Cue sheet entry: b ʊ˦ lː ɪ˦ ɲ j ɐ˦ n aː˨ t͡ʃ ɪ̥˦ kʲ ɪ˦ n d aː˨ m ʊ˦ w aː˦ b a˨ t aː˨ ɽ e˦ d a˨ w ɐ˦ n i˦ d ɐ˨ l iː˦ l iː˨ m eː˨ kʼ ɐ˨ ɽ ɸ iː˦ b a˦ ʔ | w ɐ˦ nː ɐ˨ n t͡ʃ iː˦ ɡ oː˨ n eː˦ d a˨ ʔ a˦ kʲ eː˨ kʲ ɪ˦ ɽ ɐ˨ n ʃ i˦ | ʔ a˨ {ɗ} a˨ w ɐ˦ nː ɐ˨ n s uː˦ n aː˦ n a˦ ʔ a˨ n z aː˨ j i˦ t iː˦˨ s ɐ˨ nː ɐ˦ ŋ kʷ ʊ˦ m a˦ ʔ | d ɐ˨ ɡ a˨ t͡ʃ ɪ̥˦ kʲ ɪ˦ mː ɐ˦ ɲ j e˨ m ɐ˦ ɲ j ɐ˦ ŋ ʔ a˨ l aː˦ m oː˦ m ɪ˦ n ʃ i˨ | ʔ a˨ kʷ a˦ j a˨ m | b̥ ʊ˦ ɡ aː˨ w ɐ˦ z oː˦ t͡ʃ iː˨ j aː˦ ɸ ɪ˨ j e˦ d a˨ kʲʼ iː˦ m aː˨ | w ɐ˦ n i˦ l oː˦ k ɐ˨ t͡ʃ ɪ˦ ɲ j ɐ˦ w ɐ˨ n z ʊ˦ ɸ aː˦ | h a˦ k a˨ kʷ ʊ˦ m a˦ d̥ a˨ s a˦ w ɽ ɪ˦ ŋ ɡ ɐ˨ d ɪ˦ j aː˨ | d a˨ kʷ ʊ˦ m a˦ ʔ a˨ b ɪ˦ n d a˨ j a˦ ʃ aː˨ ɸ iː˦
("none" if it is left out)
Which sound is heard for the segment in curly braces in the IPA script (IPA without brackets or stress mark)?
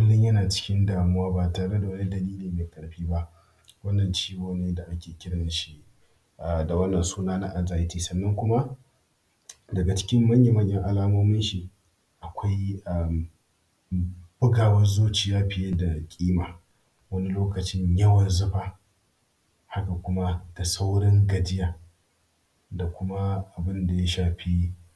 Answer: d